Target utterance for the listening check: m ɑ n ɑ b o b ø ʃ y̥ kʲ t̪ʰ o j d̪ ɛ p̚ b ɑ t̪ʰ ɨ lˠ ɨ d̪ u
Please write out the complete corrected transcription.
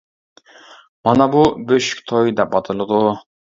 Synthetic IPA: m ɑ n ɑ b u b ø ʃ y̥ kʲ t̪ʰ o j d̪ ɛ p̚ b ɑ t̪ʰ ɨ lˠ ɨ d̪ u